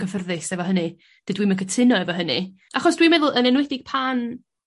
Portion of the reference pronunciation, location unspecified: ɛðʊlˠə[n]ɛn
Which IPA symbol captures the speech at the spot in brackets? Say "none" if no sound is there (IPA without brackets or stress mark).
n